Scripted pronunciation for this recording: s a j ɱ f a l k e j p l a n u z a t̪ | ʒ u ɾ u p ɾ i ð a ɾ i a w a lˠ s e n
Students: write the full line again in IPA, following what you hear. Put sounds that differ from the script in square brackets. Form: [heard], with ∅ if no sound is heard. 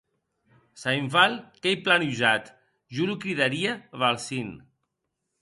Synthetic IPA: s a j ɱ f a l k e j p l a n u [ʒ] a t̪ | ʒ u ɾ u [k] ɾ i ð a ɾ i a [β] a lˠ s [i] n